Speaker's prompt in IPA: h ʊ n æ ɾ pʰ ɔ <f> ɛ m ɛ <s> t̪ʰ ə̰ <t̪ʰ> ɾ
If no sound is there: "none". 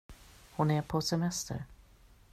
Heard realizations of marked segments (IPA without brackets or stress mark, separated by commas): s, s, none